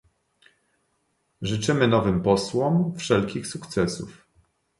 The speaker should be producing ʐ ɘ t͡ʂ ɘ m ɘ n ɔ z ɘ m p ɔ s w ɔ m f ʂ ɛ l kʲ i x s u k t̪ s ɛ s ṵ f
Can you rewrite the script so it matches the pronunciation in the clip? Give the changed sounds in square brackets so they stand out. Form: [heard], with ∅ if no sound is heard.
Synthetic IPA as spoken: ʐ ɘ t͡ʂ ɘ m ɘ n ɔ [v] ɘ m p ɔ s w ɔ m f ʂ ɛ l kʲ i x s u k t̪ s ɛ s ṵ f